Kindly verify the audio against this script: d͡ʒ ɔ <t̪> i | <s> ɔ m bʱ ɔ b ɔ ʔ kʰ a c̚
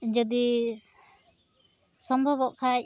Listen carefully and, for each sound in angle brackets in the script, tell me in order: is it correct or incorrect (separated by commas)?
incorrect, correct